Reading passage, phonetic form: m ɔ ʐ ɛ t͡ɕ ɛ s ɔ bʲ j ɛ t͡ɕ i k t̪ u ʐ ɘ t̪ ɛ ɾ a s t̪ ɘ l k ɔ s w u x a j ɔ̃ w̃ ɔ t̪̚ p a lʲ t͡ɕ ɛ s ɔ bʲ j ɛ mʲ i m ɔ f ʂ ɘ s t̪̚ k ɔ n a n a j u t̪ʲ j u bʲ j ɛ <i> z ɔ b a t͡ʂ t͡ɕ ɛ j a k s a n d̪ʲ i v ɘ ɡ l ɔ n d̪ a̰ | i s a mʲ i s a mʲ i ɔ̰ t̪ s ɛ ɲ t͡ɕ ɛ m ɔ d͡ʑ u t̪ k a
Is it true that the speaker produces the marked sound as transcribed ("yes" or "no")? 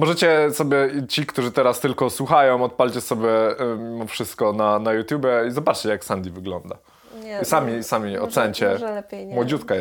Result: yes